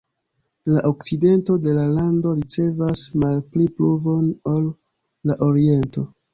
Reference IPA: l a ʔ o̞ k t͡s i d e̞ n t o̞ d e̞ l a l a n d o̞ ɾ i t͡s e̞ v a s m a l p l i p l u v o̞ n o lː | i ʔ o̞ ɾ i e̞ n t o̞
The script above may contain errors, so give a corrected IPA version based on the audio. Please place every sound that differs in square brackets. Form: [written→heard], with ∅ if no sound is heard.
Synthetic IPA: l a ʔ o̞ k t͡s i d e̞ n t o̞ d e̞ l a l a n d o̞ ɾ i t͡s e̞ v a s m a l p l i p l u v o̞ n o lː | [i→a] ʔ o̞ ɾ i e̞ n t o̞